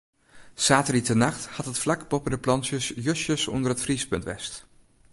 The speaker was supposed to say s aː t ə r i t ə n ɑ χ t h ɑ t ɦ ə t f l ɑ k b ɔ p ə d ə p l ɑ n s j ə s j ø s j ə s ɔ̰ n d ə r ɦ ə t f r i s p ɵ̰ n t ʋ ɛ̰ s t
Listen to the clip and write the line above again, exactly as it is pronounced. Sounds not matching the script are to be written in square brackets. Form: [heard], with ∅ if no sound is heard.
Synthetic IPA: s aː t ə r i t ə n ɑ χ t h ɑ t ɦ ə t f l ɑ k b ɔ p ə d ə p l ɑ n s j ə s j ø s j ə s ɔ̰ n d ə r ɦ ə t f r i s p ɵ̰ n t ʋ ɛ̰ s t